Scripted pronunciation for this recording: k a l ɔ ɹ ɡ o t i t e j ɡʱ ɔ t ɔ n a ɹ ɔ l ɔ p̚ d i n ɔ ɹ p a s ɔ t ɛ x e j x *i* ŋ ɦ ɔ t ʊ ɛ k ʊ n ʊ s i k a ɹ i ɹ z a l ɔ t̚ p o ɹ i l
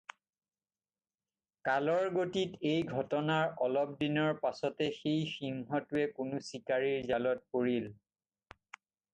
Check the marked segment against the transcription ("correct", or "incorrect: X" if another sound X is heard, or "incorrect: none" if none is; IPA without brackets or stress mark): correct